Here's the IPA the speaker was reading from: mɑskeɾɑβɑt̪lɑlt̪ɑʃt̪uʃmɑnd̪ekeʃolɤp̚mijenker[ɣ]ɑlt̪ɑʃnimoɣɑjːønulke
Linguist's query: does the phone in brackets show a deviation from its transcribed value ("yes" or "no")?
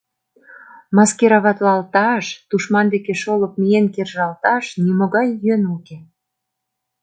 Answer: yes